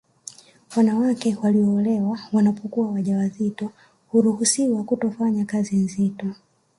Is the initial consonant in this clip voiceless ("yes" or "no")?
no